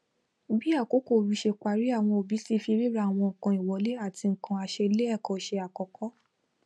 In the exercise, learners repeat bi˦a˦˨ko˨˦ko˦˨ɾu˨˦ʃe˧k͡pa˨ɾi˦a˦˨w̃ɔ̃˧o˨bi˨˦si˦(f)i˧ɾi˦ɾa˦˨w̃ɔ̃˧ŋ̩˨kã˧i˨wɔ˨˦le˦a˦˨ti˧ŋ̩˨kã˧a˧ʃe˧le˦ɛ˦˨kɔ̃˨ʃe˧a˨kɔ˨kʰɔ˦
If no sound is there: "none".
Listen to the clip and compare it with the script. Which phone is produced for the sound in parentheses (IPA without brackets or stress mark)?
f